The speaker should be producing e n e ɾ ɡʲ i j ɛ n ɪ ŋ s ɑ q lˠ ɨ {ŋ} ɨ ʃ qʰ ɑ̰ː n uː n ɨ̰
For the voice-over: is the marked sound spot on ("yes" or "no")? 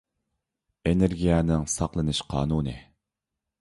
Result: no